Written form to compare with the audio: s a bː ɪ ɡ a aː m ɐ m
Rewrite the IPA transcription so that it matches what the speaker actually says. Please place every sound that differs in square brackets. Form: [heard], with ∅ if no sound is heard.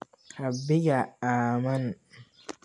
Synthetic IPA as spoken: [h] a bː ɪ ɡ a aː m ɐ [n]